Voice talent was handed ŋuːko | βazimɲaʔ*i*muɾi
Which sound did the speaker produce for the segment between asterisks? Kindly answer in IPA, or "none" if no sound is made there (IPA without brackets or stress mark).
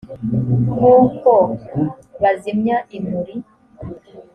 i